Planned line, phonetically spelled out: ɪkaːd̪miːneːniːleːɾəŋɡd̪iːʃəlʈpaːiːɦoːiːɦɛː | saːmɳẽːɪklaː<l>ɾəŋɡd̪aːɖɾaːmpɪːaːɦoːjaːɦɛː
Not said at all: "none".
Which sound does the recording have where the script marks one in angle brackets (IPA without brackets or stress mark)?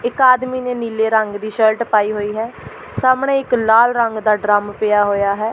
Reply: l